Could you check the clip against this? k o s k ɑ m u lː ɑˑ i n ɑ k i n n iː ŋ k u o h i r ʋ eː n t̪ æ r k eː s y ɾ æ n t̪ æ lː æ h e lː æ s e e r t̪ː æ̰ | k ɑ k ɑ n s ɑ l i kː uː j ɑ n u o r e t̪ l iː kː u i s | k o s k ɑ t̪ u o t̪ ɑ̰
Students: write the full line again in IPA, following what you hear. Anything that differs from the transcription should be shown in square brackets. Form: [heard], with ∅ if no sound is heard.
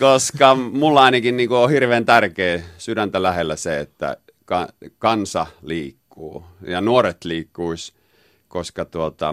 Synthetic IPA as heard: k o s k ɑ m u lː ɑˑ i n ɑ k i n n iː ŋ k u o h i r ʋ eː n t̪ æ r k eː s y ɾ æ n t̪ æ [l] æ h e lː æ s e e [∅] t̪ː æ̰ | k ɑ k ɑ n s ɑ l [iː] kː uː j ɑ n u o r e t̪ l iː kː u i s | k o s k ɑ t̪ u o t̪ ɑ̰